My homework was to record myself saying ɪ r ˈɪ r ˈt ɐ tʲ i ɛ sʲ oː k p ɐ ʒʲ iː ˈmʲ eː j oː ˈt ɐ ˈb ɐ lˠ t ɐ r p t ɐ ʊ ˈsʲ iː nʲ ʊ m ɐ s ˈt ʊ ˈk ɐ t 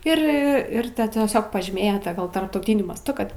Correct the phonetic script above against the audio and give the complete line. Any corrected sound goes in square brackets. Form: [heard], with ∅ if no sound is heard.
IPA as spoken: ɪ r ˈɪ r ˈt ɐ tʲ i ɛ sʲ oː k p ɐ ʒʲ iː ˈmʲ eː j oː ˈt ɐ [ˈɡ] ɐ lˠ t ɐ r p t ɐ ʊ [ˈtʲ] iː nʲ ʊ m ɐ s ˈt ʊ ˈk ɐ t